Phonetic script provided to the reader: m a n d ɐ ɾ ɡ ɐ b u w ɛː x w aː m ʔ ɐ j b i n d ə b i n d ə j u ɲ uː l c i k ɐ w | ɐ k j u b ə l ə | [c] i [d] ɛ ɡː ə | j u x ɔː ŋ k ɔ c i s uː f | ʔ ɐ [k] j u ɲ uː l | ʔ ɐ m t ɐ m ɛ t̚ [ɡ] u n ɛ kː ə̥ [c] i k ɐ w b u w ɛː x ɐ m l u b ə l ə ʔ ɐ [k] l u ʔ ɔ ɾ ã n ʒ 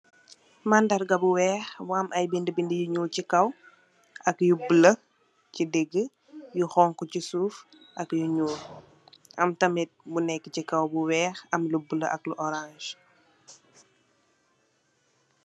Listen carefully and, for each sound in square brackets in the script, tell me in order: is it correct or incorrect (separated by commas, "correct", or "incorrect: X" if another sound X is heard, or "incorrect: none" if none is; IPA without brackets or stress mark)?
correct, correct, correct, incorrect: b, correct, correct